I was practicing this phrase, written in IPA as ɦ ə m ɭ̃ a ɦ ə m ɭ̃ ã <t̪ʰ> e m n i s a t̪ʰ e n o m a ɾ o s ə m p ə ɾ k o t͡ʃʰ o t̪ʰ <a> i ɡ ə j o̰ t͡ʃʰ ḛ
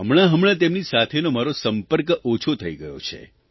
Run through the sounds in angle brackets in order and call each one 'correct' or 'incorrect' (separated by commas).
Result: incorrect, incorrect